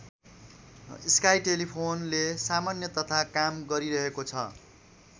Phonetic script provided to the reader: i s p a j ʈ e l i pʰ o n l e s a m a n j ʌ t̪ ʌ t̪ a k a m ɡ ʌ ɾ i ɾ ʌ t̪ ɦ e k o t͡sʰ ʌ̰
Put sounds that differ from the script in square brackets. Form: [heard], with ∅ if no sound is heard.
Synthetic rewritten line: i s [k] a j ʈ e l i pʰ o n l e s a m a n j ʌ t̪ ʌ [t̪ʰ] a k a m ɡ ʌ ɾ i ɾ ʌ [∅] ɦ e k o t͡sʰ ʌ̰